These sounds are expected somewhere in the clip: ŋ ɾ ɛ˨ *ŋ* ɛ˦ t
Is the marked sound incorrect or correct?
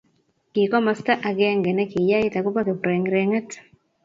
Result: correct